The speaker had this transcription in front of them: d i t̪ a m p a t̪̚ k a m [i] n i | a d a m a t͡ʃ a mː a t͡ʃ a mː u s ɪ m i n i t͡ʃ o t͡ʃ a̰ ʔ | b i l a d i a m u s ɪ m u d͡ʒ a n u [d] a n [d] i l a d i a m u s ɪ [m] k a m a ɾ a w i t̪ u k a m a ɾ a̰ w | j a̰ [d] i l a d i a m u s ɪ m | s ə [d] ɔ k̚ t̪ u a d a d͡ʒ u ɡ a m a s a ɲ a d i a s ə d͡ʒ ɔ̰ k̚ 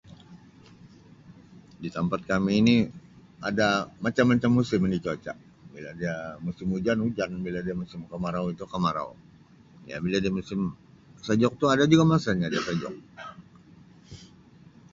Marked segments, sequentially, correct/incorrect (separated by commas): incorrect, incorrect, incorrect, correct, incorrect, incorrect